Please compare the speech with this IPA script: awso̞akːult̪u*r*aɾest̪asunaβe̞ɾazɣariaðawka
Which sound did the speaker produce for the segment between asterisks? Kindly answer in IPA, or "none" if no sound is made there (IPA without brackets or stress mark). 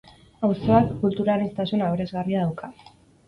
ɾ